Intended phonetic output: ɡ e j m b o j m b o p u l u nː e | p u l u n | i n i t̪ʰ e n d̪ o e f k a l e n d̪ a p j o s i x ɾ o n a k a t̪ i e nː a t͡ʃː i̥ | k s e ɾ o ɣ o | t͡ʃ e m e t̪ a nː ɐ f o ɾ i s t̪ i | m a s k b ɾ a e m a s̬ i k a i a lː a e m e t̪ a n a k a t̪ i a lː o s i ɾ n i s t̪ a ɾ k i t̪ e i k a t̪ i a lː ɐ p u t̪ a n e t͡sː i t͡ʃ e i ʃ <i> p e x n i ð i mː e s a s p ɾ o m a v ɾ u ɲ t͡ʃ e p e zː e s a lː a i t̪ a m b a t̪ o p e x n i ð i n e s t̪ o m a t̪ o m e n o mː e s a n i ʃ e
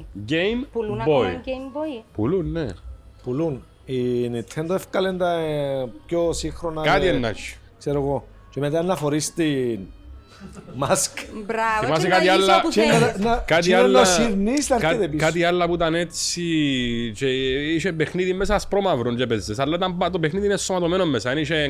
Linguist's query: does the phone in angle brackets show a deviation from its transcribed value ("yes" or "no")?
yes